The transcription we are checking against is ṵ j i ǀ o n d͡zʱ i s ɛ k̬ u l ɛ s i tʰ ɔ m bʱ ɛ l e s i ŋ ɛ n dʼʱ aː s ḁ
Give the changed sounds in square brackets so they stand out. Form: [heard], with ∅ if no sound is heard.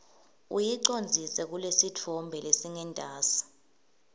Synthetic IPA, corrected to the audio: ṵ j i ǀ o n d͡zʱ i s ɛ k̬ u l [e] s i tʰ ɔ m bʱ ɛ l e s i ŋ ɛ n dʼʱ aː s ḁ